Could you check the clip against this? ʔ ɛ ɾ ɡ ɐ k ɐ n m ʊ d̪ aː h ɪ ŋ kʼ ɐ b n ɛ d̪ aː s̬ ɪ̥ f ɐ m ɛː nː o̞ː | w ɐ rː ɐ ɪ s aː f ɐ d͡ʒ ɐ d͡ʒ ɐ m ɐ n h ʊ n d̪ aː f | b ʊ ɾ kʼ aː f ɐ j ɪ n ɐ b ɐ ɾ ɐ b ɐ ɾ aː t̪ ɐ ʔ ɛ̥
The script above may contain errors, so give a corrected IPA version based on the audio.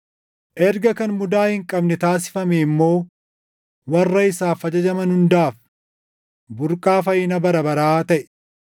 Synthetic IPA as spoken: ʔ ɛ ɾ ɡ ɐ k ɐ n m ʊ d̪ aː h ɪ ŋ kʼ ɐ b n ɛ t̪ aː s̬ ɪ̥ f ɐ m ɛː mː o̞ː | w ɐ rː ɐ ɪ s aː f ɐ d͡ʒ ɐ d͡ʒ ɐ m ɐ n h ʊ n d̪ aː f | b ʊ ɾ kʼ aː f ɐ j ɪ n ɐ b ɐ ɾ ɐ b ɐ ɾ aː t̪ ɐ ʔ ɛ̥